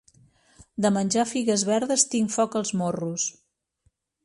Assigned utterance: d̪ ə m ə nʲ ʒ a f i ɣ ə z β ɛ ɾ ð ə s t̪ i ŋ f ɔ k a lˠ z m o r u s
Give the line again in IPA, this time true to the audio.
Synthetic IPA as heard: d̪ ə m ə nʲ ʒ a f i ɣ ə z β ɛ ɾ ð ə s t̪ i ŋ f ɔ k ə lˠ z m o r u s

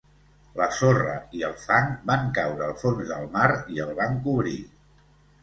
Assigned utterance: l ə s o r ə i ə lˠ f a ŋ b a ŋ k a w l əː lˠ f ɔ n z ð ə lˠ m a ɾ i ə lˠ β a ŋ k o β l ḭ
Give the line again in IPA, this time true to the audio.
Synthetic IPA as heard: l ə s o r ə i ə lˠ f a ŋ b a ŋ k a w ɾ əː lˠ f o n z ð ə lˠ m a ɾ i ə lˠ β a ŋ k u β ɾ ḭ

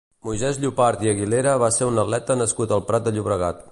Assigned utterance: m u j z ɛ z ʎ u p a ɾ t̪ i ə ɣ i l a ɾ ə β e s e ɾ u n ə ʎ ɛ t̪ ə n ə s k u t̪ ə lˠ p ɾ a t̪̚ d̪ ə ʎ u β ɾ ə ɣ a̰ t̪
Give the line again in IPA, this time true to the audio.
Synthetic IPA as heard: m u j z ɛ z ʎ u p a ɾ t̪ i ə ɣ i l e ɾ ə β a s e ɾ u n ə l ɛ t̪ ə n ə s k u t̪ ə lˠ p ɾ a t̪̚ d̪ ə ʎ u β ɾ ə ɣ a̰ t̪

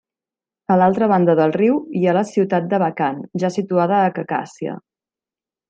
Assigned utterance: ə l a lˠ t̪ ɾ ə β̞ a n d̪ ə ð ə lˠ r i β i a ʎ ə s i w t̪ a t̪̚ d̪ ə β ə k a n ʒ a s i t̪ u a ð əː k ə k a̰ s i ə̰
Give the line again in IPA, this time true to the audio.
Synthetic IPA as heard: ə l a lˠ t̪ ɾ ə β̞ a n d̪ ə ð ə lˠ r i w i a l ə s i w t̪ a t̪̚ d̪ ə β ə k a n ʒ a s i t̪ u a ð əː k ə k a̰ s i ə̰

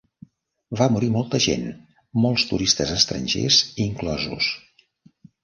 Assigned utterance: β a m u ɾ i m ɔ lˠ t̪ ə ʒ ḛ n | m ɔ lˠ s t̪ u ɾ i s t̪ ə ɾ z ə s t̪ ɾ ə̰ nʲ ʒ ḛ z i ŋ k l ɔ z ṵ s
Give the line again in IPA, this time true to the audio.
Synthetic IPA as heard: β a m u ɾ i m ɔ lˠ t̪ ə ʒ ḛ n | m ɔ lˠ s t̪ u ɾ i s t̪ ə z ə s t̪ ɾ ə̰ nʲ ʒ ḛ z i ŋ k l ɔ z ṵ s

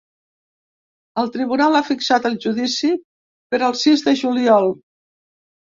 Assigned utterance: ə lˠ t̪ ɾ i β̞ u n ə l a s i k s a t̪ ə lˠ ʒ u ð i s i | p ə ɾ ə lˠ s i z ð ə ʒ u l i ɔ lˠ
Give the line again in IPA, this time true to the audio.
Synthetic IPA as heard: ə lˠ t̪ ɾ i β̞ u n a l a f i k s a t̪ ə lˠ ʒ u ð i s i | p ə ɾ ə lˠ s i z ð ə ʒ u l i ɔ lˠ

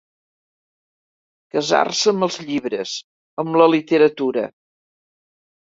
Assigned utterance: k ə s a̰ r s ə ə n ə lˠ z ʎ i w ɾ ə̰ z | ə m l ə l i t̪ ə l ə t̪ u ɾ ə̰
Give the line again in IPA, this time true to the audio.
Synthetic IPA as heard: k ə z a̰ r s ə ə m ə lˠ z ʎ i β ɾ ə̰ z | ə m l ə l i t̪ ə ɾ ə t̪ u ɾ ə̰

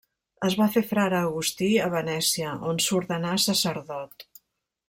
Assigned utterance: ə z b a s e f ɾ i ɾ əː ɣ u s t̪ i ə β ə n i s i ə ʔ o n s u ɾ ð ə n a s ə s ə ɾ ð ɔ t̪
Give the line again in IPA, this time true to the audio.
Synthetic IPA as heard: ə z β a f e f ɾ a ɾ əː ɣ u s t̪ i ə β ə n ɛ s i ə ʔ o n s u ɾ ð ə n a s ə s ə ɾ ð ɔ t̪

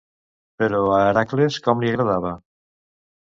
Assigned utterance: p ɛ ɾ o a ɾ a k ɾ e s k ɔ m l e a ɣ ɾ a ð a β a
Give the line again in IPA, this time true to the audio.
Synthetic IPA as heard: p e ɾ o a ɾ a k l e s k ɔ m l i a ɣ ɾ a ð a β a

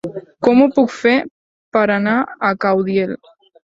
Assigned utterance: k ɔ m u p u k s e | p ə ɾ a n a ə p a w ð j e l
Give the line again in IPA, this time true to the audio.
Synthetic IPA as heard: k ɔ m u p u k f e | p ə ɾ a n a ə k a w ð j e l

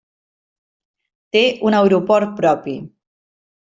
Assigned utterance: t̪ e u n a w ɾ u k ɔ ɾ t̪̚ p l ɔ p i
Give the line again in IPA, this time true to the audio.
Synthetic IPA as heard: t̪ e u n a w ɾ u p ɔ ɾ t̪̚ p ɾ ɔ p i

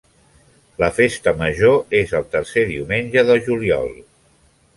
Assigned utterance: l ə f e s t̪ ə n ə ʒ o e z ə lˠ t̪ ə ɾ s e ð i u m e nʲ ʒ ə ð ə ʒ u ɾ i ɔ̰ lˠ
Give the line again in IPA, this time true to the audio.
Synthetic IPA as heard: l ə f e s t̪ ə m ə ʒ o e z ə lˠ t̪ ə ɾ s e ð i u m e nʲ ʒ ə ð ə ʒ u l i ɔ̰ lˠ

